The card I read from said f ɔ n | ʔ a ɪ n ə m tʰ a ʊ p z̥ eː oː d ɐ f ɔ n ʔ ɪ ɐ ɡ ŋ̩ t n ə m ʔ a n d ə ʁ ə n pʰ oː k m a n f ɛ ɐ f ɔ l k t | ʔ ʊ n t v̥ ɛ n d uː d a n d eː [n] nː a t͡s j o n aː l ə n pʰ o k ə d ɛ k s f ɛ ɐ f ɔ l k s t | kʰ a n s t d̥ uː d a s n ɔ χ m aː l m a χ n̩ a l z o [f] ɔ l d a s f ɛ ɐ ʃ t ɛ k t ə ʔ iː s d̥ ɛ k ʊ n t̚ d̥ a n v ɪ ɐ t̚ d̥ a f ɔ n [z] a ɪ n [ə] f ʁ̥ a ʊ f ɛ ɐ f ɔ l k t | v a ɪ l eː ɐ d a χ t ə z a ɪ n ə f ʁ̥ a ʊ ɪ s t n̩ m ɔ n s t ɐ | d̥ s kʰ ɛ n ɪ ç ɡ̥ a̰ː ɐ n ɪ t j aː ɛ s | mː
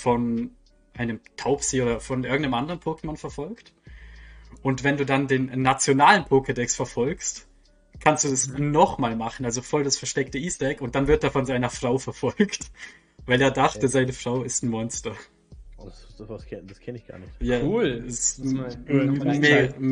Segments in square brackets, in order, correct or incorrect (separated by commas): correct, correct, correct, incorrect